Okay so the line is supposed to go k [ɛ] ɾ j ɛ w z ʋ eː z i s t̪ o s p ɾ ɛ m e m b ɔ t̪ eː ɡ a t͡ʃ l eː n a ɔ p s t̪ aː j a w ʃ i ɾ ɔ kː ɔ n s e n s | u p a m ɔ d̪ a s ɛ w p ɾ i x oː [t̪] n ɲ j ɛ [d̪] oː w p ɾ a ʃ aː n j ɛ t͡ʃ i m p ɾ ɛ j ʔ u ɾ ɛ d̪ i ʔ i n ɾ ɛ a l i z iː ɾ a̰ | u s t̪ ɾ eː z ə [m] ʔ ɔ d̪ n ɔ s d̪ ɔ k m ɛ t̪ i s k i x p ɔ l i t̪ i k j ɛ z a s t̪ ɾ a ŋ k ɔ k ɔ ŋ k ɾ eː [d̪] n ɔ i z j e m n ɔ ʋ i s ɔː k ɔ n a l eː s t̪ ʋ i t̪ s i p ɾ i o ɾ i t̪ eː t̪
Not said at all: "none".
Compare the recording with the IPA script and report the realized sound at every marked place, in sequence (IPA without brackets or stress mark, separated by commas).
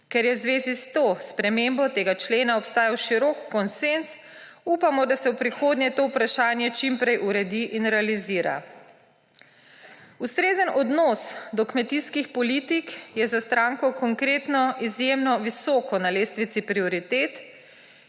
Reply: ɛ, d̪, t̪, n, t̪